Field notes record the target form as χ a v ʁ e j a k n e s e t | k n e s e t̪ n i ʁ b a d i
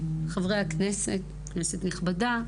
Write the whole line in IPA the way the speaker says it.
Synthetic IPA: χ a v ʁ e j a k n e s e t | k n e s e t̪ n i χ b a d a